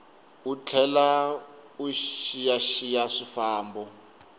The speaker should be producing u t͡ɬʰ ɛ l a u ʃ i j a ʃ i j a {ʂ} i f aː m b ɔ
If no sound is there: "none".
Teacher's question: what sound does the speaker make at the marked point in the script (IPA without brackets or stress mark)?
ʂ